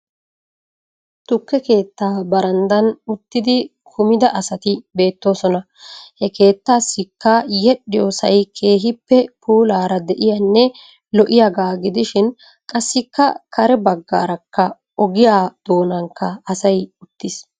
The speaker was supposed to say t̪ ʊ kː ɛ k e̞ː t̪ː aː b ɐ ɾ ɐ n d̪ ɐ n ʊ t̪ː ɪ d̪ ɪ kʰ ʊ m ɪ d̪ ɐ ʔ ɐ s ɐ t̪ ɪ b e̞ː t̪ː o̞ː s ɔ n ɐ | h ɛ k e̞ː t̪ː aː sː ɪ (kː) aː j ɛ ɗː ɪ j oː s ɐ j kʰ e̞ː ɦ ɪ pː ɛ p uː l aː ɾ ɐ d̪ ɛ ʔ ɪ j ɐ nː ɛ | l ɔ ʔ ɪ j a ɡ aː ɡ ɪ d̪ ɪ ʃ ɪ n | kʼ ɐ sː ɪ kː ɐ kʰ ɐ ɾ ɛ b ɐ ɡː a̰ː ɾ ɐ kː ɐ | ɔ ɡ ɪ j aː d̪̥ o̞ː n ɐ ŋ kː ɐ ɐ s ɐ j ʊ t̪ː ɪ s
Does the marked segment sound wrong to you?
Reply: no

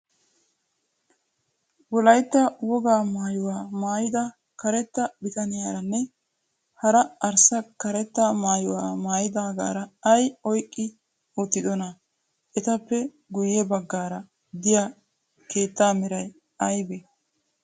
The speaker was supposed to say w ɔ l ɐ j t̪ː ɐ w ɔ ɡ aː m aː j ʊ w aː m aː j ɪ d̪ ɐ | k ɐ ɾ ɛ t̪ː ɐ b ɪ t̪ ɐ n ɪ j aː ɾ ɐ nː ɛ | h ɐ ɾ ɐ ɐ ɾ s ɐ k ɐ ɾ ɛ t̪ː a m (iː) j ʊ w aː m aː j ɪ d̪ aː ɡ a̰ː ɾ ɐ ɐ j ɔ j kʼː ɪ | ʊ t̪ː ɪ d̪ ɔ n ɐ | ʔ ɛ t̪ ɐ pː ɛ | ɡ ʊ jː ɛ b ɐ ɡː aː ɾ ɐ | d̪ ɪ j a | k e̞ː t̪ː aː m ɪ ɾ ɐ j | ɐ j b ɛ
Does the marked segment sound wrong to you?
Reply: yes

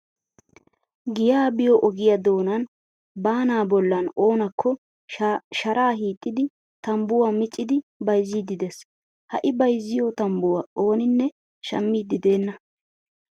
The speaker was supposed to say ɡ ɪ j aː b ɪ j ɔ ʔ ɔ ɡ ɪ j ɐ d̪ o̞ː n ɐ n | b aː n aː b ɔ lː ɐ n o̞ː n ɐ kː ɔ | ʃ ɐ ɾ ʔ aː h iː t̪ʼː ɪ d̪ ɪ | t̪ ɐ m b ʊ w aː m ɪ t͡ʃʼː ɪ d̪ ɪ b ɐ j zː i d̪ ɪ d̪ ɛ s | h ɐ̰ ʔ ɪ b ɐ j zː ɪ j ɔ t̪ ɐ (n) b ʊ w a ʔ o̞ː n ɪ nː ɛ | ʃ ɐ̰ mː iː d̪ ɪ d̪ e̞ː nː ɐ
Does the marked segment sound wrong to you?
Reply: yes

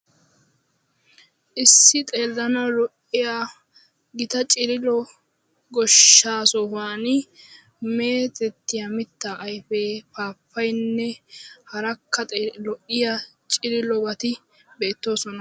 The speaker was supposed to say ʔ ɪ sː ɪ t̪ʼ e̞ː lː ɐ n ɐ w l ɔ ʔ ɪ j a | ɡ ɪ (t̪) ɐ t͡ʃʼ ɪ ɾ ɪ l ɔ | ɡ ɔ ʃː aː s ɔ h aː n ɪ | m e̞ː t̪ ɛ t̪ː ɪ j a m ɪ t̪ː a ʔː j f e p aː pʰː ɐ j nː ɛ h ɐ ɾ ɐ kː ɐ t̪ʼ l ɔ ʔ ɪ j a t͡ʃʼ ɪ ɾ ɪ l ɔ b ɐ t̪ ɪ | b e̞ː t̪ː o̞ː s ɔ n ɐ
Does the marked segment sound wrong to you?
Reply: no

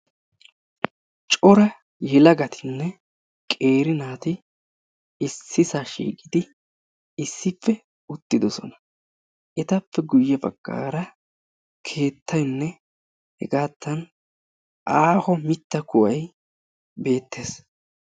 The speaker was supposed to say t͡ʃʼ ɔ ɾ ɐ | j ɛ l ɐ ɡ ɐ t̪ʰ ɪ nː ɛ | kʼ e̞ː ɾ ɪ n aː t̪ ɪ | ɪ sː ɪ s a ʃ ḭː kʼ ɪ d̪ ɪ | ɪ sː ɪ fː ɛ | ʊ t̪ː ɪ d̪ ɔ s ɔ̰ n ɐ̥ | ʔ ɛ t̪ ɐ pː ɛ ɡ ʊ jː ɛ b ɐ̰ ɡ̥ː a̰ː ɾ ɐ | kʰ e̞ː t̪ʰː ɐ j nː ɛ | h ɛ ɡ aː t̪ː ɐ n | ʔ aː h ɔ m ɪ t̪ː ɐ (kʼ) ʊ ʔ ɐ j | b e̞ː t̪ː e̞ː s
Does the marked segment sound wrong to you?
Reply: yes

